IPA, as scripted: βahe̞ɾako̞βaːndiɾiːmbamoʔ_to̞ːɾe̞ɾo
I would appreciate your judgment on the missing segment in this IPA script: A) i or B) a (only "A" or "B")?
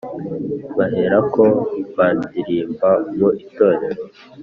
A